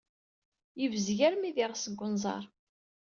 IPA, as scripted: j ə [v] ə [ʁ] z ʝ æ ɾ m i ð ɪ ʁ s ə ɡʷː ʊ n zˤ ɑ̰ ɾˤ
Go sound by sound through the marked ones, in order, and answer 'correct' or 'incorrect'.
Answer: correct, incorrect: none

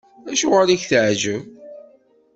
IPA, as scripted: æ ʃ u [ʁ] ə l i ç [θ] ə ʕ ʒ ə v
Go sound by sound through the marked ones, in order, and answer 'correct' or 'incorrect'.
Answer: correct, correct

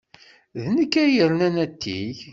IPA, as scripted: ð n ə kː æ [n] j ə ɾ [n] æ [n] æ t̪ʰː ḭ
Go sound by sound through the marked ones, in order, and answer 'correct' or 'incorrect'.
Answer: incorrect: none, correct, correct

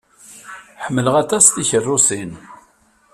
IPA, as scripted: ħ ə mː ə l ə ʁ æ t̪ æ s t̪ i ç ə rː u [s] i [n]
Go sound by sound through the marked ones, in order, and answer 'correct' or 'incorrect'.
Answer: correct, correct

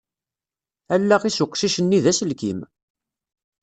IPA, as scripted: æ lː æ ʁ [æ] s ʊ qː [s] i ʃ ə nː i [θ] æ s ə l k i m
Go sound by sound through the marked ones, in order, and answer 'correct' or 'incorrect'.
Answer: incorrect: i, incorrect: ʃ, incorrect: ð

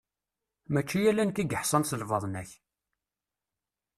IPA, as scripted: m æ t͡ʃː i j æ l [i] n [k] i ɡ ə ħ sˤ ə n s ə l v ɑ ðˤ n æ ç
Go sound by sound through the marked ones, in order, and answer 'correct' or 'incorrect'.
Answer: incorrect: æ, correct

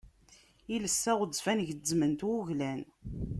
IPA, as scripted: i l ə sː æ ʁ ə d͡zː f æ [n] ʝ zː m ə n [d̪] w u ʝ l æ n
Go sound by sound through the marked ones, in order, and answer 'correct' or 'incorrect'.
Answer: correct, incorrect: t̪

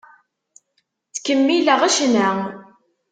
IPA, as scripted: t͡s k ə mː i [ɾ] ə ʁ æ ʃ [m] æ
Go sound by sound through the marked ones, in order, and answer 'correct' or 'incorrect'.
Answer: incorrect: l, incorrect: n

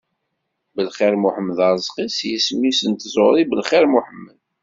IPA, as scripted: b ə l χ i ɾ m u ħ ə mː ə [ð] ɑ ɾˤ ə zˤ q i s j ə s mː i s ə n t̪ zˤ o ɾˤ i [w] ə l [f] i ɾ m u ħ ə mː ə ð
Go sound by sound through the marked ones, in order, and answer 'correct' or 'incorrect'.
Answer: correct, incorrect: b, incorrect: χ

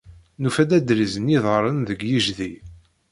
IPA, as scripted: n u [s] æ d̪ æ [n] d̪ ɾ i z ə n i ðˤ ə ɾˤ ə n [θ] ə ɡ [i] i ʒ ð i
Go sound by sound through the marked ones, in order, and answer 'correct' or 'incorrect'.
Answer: incorrect: f, incorrect: none, incorrect: ð, incorrect: j

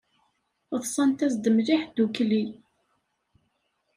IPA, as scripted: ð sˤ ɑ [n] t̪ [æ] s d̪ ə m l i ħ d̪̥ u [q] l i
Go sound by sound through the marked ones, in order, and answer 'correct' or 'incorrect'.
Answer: correct, correct, incorrect: k

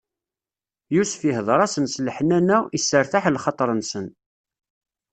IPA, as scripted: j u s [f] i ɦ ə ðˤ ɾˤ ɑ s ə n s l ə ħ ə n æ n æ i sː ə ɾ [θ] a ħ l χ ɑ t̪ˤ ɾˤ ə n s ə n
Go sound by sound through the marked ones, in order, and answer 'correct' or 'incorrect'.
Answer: correct, correct

